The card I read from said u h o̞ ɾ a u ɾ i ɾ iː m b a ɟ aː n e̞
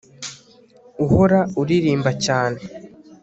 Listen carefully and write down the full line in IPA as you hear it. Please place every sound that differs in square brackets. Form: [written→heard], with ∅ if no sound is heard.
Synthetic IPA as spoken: u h o̞ ɾ a u ɾ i ɾ iː m b a [ɟ→c] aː n e̞